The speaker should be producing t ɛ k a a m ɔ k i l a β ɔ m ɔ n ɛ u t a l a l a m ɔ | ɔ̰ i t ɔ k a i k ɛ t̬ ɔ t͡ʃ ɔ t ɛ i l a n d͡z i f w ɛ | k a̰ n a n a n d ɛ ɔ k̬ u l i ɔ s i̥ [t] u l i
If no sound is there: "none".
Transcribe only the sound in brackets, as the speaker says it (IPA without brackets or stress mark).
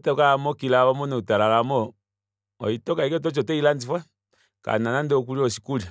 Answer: k